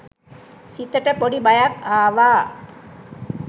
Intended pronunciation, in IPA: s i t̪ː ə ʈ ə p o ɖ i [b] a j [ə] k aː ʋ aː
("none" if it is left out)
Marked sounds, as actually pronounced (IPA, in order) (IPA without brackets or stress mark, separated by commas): b, a